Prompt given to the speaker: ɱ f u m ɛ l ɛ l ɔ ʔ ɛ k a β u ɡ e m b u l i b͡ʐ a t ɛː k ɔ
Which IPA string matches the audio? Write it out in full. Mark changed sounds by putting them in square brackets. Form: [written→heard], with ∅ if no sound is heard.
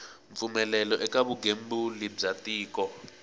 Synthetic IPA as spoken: ɱ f u m ɛ l ɛ l ɔ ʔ ɛ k a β u ɡ e m b u l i b͡ʐ a t [ɛː→iː] k ɔ